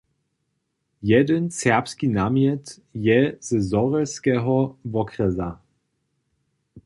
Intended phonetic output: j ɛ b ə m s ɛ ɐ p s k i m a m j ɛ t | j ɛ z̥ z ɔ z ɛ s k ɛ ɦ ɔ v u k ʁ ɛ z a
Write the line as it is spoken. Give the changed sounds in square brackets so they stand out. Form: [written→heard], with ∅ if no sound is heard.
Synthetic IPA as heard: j ɛ [b→d] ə [m→n] s ɛ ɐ p s k i [m→n] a m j ɛ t | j ɛ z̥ z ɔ [z→ʁ] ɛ s k ɛ ɦ ɔ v [u→ɔ] k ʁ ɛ z a